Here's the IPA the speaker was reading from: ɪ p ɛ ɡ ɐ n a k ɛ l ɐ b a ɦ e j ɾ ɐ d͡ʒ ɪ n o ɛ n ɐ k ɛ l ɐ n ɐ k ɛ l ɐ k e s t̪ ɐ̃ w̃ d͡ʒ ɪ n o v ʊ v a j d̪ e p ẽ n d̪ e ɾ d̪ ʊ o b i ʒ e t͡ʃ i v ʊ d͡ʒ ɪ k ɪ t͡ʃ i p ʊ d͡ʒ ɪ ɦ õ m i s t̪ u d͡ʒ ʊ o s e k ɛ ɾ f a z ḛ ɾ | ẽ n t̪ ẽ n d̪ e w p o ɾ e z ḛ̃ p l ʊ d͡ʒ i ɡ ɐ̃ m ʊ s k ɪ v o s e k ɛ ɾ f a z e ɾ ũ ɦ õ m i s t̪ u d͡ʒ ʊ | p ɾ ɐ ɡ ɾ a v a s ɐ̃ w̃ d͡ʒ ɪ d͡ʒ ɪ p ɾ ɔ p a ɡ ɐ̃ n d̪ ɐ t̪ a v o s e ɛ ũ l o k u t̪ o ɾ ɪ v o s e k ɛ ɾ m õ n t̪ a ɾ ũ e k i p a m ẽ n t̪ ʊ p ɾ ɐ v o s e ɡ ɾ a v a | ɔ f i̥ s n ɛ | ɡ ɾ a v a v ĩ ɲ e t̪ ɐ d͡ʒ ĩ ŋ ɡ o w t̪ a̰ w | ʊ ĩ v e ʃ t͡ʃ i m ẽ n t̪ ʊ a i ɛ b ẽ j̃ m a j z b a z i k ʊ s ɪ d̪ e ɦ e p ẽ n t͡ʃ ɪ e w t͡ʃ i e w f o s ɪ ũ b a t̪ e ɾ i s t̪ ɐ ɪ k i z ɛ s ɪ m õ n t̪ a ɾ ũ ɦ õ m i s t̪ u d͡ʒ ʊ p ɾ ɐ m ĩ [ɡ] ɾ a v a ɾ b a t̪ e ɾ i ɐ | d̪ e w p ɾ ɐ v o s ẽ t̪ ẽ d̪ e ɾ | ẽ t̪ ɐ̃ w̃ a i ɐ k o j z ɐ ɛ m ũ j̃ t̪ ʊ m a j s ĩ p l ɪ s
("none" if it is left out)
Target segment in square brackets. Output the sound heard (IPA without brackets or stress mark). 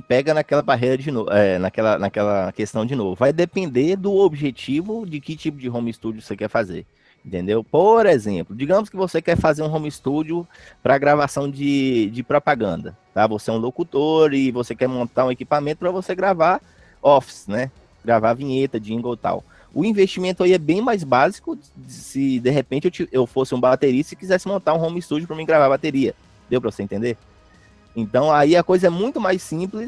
ɡ